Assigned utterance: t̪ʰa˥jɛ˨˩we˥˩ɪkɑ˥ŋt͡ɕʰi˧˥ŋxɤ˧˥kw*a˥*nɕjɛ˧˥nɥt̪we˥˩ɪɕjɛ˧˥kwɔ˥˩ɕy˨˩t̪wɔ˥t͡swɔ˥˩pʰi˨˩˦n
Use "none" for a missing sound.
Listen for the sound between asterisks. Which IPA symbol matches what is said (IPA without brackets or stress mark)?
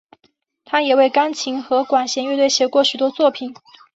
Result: a˨˩